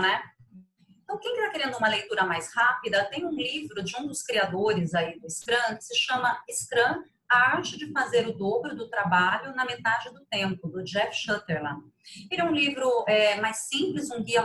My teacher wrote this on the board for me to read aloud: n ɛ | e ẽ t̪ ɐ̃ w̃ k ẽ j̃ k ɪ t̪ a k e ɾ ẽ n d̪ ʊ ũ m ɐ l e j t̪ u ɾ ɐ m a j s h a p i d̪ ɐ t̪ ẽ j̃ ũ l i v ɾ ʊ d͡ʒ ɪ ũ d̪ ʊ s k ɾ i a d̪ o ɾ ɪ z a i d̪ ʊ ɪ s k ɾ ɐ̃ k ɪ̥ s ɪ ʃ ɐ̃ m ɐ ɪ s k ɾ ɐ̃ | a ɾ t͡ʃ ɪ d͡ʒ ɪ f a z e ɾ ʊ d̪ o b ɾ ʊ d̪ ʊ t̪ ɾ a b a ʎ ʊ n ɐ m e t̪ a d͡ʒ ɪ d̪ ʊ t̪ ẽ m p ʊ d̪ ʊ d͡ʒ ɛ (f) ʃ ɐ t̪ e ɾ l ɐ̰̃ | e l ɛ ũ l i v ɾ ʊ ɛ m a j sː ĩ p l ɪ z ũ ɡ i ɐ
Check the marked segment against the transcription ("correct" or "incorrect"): correct